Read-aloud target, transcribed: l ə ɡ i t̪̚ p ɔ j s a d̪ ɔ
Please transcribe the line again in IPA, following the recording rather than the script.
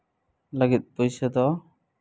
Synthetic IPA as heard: l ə ɡ i t̪̚ p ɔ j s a d̪ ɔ